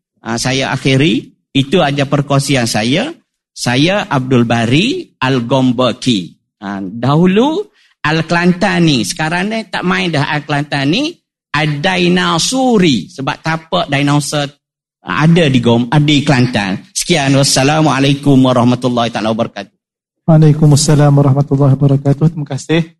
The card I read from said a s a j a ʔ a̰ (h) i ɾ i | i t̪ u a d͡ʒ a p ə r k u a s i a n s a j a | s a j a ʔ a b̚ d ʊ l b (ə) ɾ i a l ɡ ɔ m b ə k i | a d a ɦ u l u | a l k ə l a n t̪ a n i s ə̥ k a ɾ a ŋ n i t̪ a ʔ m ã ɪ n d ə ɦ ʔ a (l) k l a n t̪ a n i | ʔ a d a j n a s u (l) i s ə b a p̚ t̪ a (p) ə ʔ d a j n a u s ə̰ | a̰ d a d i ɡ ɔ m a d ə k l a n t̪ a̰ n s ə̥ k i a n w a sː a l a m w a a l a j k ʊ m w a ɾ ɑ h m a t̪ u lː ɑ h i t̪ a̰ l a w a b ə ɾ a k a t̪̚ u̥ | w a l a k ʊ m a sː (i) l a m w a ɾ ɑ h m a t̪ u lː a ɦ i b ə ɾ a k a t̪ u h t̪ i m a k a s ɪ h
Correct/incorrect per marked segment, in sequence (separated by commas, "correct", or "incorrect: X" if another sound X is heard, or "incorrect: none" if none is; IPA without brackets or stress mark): incorrect: x, incorrect: a, correct, incorrect: ɾ, correct, incorrect: a